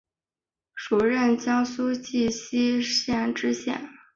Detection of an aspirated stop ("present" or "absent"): absent